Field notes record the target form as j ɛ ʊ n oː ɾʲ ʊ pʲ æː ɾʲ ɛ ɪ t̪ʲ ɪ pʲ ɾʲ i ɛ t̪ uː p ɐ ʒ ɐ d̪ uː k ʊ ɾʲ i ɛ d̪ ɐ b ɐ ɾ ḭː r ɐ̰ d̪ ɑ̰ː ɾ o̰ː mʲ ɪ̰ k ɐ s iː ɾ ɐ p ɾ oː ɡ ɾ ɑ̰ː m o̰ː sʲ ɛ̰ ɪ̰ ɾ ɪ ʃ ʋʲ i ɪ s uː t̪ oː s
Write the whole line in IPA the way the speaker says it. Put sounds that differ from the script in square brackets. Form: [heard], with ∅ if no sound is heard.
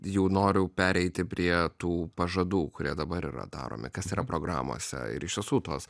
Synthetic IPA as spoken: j ɛ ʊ n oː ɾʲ ʊ pʲ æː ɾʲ ɛ ɪ t̪ʲ ɪ pʲ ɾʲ i ɛ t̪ uː p ɐ ʒ ɐ d̪ uː k ʊ ɾʲ i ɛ d̪ ɐ b ɐ ɾ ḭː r ɐ̰ d̪ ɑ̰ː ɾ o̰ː mʲ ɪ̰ k ɐ s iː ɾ ɐ p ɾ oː ɡ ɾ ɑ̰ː m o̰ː sʲ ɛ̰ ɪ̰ ɾ ɪ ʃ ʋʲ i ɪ s uː t̪ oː s